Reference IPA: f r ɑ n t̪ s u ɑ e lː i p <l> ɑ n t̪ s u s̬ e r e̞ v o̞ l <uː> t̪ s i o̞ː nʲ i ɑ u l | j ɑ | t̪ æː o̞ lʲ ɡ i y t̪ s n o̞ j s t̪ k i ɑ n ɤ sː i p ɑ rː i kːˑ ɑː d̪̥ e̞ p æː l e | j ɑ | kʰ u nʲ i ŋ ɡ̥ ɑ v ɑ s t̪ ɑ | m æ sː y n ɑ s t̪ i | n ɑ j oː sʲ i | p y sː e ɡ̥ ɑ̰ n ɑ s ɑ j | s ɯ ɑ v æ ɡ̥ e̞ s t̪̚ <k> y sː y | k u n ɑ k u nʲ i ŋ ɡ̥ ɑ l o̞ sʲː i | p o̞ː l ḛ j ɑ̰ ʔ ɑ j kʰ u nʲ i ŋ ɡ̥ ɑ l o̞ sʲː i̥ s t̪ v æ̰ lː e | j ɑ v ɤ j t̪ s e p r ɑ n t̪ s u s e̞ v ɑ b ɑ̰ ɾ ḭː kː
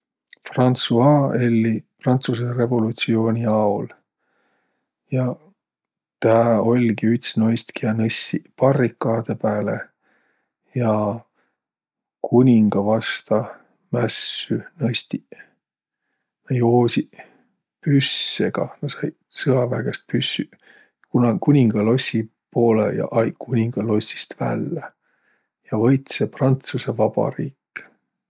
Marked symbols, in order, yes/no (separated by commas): no, no, no